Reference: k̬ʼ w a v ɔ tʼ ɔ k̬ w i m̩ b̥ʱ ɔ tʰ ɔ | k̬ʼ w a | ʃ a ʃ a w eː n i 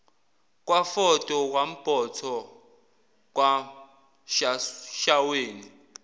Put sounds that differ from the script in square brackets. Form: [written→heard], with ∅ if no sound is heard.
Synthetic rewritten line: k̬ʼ w a [v→f] ɔ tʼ ɔ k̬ w [i→a] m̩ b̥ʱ ɔ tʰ ɔ | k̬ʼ w a | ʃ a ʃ a w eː n i